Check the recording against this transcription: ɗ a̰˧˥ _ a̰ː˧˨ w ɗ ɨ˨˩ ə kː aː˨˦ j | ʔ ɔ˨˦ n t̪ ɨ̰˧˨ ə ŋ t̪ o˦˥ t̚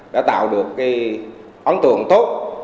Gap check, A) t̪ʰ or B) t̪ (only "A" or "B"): B